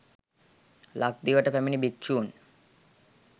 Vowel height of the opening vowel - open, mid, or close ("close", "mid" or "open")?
open